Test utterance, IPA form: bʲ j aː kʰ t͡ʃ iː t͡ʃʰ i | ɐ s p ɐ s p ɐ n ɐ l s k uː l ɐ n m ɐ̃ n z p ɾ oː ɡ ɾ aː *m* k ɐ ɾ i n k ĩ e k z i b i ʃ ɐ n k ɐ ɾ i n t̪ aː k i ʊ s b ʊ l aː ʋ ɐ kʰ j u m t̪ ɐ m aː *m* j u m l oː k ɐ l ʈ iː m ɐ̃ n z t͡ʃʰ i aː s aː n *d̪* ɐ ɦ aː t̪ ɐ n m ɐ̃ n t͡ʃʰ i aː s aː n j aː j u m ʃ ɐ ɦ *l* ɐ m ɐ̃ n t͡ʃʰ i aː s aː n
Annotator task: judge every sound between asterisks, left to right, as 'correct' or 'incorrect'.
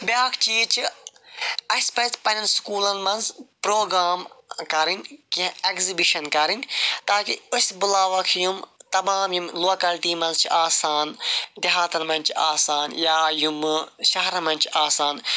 correct, correct, correct, incorrect

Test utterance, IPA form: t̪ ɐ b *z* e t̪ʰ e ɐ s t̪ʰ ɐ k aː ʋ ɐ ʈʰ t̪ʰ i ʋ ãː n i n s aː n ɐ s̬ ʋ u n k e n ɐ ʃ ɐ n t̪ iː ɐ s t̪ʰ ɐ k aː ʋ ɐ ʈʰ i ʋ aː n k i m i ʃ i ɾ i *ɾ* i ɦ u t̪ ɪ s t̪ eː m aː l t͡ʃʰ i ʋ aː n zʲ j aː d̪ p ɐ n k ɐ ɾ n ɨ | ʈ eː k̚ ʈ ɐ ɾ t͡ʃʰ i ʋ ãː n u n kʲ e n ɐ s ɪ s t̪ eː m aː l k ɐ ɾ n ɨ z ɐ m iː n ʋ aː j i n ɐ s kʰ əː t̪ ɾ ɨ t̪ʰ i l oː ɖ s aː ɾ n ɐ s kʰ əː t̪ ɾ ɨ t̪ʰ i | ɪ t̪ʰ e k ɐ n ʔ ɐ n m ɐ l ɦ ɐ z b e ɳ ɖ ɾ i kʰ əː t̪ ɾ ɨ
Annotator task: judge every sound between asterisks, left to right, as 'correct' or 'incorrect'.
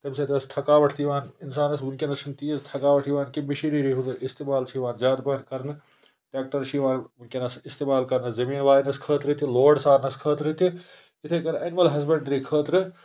incorrect, correct

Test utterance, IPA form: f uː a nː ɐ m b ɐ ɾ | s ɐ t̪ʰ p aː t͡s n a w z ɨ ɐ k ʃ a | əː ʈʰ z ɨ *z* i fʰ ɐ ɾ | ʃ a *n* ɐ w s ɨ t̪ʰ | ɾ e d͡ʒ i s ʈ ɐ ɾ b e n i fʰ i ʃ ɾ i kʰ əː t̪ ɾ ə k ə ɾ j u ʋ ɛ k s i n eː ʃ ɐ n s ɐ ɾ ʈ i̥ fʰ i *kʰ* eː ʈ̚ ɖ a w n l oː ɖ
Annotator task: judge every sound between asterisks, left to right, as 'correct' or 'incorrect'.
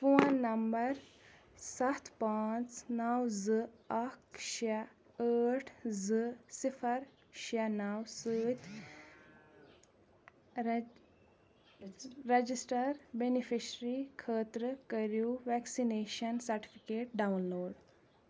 incorrect, correct, incorrect

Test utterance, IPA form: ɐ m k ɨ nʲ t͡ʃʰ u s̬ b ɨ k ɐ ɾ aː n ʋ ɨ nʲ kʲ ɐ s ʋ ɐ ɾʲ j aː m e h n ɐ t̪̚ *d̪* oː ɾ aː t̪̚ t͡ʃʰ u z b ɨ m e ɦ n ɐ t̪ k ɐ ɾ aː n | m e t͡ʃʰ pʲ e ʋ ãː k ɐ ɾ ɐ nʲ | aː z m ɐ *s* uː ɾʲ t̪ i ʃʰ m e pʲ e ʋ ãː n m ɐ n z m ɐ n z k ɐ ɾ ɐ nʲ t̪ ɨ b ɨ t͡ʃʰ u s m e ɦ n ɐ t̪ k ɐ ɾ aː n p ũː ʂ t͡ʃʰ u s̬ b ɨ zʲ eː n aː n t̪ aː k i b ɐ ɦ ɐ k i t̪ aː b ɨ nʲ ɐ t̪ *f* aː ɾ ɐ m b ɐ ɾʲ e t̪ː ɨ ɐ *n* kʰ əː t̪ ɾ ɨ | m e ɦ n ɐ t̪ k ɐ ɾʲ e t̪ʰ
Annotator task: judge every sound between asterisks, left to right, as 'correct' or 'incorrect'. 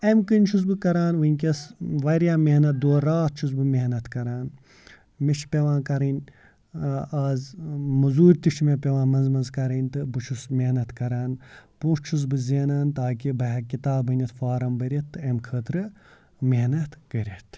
correct, incorrect, correct, incorrect

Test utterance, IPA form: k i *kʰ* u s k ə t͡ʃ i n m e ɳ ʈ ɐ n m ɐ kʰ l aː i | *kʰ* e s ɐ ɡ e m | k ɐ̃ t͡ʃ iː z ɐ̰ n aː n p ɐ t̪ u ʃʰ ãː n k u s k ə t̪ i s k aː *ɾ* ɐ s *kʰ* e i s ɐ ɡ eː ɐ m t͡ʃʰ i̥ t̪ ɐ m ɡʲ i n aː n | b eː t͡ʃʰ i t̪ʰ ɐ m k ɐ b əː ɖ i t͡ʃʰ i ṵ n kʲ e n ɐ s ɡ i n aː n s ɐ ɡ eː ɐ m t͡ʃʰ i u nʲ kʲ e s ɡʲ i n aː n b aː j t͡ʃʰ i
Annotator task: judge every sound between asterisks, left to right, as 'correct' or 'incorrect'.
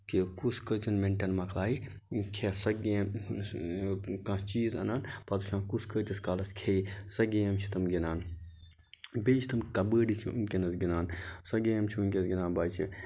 incorrect, correct, incorrect, correct

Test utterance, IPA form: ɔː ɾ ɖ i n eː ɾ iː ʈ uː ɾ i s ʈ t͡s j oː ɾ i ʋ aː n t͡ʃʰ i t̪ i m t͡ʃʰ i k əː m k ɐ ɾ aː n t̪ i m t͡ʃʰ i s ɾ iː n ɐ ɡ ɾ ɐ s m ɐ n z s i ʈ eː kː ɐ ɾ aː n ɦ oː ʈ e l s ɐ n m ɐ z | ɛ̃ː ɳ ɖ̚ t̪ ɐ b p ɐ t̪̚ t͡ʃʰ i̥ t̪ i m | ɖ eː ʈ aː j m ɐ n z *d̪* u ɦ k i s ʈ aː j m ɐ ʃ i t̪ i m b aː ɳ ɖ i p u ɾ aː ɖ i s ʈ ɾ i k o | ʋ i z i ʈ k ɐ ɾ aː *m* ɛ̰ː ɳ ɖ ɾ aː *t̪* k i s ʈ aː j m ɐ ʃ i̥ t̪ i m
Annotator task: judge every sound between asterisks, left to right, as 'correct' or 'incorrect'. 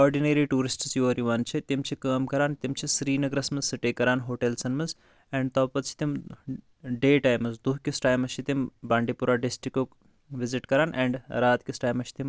correct, incorrect, correct

